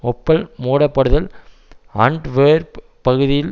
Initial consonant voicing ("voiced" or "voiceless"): voiceless